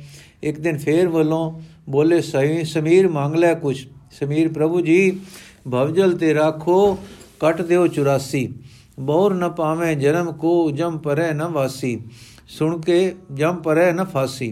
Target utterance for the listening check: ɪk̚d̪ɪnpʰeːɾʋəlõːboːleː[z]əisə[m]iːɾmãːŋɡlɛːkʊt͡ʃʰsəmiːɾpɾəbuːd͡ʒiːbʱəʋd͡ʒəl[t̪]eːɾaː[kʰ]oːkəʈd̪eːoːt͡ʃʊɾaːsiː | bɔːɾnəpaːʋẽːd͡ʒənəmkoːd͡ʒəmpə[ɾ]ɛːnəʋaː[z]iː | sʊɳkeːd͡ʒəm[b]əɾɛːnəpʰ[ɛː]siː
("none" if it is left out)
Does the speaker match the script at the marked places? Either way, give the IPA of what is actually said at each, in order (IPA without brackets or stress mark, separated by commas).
s, m, t̪, kʰ, ɾ, s, p, aː